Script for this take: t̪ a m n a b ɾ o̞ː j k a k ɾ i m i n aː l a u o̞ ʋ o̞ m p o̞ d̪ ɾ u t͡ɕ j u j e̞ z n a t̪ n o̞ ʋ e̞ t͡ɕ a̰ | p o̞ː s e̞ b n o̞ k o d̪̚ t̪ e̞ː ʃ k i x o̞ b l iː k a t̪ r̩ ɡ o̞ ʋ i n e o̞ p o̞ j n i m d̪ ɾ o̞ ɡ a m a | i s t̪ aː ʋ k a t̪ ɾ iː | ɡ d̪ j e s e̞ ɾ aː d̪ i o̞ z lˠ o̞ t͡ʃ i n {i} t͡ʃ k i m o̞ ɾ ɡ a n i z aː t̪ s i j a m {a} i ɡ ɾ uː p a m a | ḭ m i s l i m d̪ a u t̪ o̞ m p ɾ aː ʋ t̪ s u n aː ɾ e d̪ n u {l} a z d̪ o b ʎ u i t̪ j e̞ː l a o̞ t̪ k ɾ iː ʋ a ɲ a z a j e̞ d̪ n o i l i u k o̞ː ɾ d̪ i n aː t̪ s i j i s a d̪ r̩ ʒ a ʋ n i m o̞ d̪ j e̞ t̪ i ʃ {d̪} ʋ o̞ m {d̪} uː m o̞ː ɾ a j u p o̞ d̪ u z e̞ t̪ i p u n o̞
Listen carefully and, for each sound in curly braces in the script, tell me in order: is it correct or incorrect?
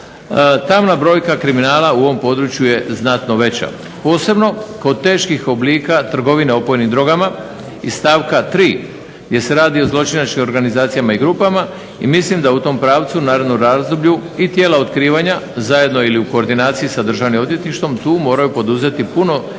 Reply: incorrect: a, correct, incorrect: ɾ, incorrect: t̪, incorrect: t̪

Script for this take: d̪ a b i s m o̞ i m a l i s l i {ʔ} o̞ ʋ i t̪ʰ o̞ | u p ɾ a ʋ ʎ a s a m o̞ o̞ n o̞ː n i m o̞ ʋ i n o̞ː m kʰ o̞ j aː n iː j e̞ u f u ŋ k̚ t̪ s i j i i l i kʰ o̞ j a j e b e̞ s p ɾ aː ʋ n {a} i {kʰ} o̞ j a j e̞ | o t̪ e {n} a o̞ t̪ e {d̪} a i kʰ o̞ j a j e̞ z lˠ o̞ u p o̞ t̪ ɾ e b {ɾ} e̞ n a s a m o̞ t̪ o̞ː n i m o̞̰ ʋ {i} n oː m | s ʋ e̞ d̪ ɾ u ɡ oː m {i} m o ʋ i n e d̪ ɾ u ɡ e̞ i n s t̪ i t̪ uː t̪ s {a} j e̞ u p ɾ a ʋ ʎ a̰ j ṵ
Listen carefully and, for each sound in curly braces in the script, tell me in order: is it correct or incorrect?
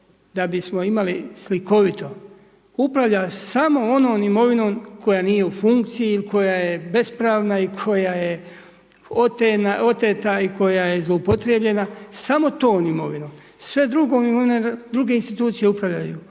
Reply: incorrect: k, correct, correct, correct, incorrect: t̪, incorrect: ʎ, correct, correct, incorrect: i

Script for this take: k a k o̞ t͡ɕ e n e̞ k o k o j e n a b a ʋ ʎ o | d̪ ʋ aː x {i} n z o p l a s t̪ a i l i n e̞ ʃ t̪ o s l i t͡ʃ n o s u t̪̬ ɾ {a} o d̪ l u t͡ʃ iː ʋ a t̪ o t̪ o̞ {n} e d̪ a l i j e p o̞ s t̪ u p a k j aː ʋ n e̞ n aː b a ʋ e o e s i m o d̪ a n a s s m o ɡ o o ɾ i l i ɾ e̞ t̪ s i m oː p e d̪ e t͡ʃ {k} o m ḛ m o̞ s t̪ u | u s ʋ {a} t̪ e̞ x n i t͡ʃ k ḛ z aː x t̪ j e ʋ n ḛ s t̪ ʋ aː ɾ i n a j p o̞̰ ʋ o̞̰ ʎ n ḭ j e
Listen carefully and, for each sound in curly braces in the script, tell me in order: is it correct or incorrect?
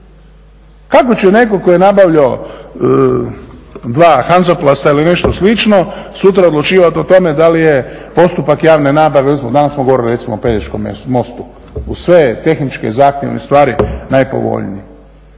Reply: incorrect: a, correct, incorrect: m, correct, incorrect: e

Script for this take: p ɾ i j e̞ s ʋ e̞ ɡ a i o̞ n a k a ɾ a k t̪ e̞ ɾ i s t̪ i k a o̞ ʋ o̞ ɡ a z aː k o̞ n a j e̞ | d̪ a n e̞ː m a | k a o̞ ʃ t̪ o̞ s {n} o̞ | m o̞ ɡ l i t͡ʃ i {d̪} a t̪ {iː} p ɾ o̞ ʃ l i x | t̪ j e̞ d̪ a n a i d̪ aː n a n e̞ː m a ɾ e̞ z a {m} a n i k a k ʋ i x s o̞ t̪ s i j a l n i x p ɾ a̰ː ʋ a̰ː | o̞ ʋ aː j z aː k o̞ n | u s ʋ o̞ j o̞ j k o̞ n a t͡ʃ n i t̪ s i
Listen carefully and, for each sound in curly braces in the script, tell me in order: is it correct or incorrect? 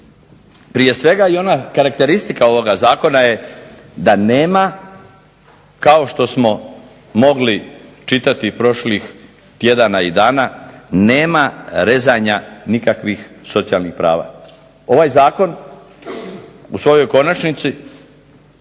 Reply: incorrect: m, incorrect: t̪, incorrect: i, incorrect: ɲ

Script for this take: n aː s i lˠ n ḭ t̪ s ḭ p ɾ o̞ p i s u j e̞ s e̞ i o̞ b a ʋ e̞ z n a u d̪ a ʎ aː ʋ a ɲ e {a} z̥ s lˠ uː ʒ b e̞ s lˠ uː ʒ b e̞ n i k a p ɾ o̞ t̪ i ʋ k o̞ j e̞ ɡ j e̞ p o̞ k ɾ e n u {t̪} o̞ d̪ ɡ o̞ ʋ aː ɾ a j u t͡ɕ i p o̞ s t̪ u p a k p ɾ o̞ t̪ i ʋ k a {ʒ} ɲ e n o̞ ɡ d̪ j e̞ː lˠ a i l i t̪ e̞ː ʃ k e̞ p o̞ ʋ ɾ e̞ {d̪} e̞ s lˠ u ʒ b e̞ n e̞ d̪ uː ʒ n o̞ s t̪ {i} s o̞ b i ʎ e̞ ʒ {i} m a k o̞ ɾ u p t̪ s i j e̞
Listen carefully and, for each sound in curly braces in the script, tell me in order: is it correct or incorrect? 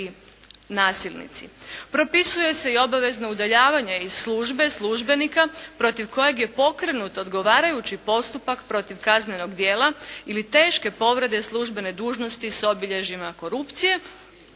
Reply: incorrect: i, correct, incorrect: z, correct, correct, correct

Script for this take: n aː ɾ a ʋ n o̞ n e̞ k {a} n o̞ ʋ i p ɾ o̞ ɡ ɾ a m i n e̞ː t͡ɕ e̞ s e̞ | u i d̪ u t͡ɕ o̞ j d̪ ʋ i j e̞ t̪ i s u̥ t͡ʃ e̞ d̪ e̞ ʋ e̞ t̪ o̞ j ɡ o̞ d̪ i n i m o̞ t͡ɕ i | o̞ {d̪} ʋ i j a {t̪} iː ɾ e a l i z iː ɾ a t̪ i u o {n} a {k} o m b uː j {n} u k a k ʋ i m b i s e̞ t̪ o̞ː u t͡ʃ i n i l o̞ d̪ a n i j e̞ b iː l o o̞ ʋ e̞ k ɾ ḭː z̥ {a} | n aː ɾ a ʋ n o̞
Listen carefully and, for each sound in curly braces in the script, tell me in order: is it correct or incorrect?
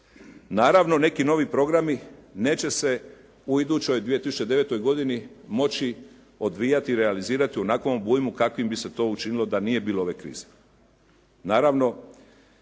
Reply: incorrect: i, correct, correct, correct, correct, incorrect: m, incorrect: e

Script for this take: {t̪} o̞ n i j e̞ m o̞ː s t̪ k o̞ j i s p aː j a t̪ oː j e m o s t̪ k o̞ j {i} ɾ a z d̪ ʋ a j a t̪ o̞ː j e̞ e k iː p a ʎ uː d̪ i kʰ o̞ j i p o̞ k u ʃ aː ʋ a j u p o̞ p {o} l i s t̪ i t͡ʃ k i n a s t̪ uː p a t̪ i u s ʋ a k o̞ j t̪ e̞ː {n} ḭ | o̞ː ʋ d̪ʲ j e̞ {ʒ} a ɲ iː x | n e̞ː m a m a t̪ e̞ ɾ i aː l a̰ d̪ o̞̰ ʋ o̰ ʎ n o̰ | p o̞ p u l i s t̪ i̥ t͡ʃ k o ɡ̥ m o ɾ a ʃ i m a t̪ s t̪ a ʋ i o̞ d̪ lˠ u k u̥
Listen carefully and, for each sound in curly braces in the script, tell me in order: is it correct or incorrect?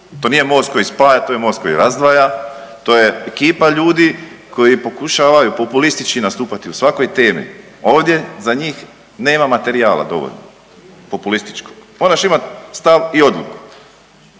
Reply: correct, correct, incorrect: u, incorrect: m, incorrect: z

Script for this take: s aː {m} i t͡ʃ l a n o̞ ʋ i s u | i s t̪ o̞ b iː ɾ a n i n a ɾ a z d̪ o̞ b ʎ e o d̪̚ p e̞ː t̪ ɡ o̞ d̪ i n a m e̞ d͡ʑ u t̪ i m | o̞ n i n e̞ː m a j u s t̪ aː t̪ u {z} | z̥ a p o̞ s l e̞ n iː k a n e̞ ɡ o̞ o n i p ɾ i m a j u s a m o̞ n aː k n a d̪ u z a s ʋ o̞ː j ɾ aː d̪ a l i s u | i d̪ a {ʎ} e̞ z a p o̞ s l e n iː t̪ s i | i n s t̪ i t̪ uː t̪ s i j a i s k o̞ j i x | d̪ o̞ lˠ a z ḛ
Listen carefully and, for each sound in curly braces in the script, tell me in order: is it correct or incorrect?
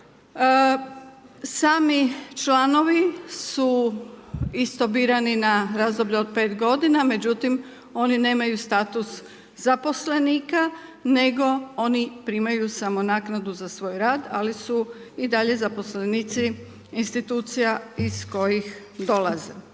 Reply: correct, incorrect: s, correct

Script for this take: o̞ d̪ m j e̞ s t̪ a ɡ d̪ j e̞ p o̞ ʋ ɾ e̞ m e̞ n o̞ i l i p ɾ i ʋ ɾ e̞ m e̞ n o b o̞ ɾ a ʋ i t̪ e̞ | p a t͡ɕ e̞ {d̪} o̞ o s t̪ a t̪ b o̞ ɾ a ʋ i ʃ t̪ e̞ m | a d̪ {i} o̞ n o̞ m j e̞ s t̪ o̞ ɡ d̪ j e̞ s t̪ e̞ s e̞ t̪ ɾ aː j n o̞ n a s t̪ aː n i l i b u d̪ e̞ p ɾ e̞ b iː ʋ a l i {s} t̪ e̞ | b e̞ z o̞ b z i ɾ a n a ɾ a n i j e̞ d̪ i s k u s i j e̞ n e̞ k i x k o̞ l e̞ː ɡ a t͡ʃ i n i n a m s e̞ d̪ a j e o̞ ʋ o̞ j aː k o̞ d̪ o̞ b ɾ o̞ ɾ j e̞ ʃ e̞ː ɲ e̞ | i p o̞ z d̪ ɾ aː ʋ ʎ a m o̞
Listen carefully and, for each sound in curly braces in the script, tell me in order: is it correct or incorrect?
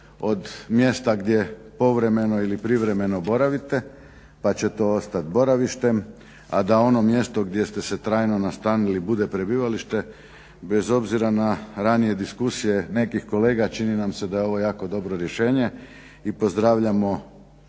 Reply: incorrect: t̪, incorrect: a, incorrect: ʃ

